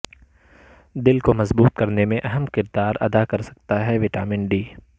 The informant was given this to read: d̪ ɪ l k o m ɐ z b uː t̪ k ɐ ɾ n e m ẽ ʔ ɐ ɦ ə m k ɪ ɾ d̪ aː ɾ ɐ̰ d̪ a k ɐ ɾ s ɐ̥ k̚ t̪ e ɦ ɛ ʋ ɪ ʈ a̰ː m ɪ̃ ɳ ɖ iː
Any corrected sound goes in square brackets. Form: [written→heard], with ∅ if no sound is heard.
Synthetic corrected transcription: d̪ ɪ l k o m ɐ z b uː t̪ k ɐ ɾ n e m ẽ ʔ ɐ ɦ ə m k ɪ ɾ d̪ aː ɾ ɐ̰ d̪ a k ɐ ɾ s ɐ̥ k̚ t̪ [e→a] ɦ ɛ ʋ ɪ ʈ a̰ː m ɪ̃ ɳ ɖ iː